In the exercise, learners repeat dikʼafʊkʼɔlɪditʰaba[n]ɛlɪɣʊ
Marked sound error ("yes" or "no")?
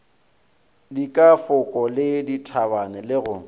no